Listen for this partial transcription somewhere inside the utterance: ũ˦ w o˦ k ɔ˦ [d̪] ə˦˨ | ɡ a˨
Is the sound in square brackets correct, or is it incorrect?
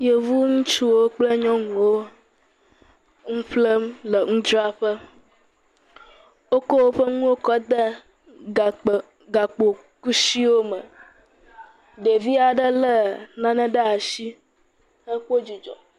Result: correct